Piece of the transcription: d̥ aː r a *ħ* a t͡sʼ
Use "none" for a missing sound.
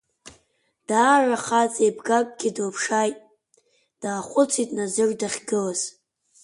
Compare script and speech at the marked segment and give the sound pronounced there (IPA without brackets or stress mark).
χ